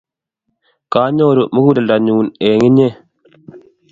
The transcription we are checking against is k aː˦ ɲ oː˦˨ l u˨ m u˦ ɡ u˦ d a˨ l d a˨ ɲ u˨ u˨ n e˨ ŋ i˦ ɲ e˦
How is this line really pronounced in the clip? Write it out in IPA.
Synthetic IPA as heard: k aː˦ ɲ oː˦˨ ɾ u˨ m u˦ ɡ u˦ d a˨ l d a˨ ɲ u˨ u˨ n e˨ ŋ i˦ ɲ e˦